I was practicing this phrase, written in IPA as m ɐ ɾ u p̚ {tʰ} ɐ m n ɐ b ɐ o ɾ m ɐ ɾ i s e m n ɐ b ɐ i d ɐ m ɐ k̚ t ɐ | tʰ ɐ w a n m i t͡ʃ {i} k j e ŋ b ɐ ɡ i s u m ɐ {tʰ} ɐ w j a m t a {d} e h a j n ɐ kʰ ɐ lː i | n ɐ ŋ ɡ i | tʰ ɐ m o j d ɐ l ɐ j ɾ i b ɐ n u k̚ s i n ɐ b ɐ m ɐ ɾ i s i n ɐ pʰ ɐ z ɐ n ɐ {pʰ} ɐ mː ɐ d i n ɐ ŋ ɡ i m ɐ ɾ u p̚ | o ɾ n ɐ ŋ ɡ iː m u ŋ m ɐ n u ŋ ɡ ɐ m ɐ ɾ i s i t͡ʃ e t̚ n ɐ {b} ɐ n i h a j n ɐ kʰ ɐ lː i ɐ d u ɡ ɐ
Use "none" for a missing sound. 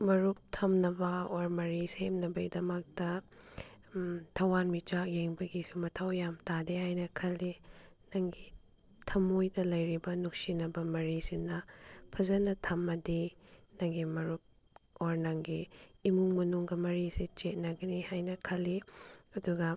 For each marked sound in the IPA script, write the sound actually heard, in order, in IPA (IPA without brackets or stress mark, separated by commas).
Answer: tʰ, a, tʰ, d, tʰ, ɡ